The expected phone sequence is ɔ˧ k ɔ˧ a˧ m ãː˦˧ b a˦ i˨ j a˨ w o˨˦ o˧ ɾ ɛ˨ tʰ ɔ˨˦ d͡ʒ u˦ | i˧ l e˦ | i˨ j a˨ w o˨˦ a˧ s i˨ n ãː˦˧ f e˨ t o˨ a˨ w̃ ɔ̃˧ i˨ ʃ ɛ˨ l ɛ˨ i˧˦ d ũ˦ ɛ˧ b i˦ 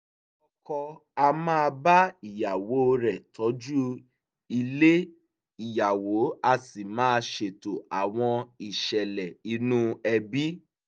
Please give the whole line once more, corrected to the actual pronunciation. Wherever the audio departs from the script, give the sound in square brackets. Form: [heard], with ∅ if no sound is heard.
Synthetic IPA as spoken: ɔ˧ k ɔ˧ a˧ m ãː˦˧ b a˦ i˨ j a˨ w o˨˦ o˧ ɾ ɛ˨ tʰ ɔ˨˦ d͡ʒ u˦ | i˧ l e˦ | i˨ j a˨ w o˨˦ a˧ s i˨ [m] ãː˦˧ [ʃ] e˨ t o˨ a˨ w̃ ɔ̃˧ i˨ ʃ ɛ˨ l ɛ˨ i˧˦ [n] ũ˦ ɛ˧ b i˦